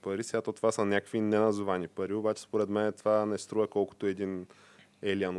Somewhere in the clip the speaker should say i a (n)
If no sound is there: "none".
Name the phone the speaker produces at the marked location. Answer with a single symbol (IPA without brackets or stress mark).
n